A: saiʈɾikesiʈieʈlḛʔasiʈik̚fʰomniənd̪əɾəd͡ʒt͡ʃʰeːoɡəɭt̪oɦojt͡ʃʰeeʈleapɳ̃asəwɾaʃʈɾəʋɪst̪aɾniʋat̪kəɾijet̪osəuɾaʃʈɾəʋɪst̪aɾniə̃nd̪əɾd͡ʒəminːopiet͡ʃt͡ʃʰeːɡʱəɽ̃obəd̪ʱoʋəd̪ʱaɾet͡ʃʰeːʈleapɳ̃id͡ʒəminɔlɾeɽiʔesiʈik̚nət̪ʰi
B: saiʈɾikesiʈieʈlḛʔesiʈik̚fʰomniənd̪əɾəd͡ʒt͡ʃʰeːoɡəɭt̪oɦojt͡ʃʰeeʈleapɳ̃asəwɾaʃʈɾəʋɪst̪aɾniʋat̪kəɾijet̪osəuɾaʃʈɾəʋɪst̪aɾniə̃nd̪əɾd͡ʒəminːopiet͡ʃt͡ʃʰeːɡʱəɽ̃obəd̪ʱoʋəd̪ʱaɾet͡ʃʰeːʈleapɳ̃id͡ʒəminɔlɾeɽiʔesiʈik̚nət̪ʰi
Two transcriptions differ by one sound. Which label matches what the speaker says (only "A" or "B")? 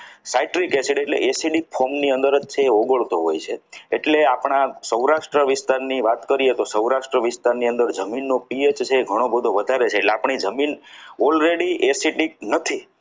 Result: B